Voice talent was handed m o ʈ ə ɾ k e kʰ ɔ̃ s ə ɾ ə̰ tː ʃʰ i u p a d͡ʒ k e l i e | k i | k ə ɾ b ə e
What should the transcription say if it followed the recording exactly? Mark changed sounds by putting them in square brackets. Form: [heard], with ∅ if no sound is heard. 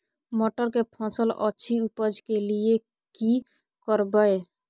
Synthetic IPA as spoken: m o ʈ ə ɾ k e [pʰ] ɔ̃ s ə [l] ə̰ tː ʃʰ i u p [ə] d͡ʒ k e l i e | k i | k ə ɾ b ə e